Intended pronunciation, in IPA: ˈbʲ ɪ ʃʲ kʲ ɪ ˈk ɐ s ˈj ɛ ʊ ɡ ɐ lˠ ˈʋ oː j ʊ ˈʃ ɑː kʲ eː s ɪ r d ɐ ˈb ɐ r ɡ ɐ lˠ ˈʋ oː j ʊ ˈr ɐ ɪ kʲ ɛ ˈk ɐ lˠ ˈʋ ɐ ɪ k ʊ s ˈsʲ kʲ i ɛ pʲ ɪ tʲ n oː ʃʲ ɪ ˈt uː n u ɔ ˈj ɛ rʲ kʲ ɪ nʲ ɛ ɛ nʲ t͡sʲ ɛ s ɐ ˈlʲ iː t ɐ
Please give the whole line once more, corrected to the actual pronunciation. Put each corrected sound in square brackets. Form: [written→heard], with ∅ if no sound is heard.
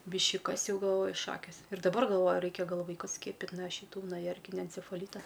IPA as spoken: ˈbʲ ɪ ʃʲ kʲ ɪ ˈk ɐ s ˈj ɛ ʊ ɡ ɐ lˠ ˈʋ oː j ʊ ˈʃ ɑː kʲ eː s ɪ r d ɐ ˈb ɐ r ɡ ɐ lˠ ˈʋ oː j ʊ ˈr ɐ ɪ kʲ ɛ [ˈk→ˈɡ] ɐ lˠ ˈʋ ɐ ɪ k ʊ s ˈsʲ kʲ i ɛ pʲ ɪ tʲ n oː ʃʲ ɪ ˈt uː n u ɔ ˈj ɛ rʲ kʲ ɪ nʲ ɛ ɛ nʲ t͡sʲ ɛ [s→f] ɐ ˈlʲ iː t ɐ